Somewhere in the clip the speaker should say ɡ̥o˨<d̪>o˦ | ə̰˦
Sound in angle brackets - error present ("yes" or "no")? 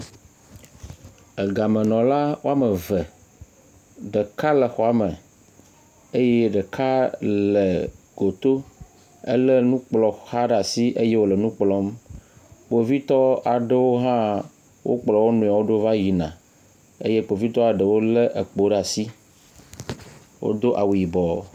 yes